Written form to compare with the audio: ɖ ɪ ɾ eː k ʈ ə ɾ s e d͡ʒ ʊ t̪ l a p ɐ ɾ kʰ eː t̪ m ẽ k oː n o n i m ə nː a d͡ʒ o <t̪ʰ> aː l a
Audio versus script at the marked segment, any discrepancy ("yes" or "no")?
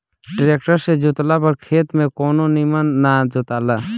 yes